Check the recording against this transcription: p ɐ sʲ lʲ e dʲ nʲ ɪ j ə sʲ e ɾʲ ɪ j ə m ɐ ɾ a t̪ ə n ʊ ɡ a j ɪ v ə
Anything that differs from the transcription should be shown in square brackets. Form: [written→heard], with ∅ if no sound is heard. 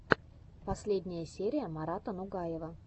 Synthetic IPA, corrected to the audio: p ɐ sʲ lʲ e dʲ nʲ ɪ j ə sʲ e ɾʲ ɪ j ə m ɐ ɾ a t̪ ə n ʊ ɡ a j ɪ v ə